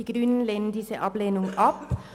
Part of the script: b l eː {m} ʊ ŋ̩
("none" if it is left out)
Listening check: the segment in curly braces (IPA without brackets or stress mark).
n